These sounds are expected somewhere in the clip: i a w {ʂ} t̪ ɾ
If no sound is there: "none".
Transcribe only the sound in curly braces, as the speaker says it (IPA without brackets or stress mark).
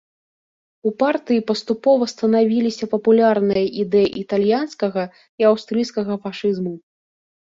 s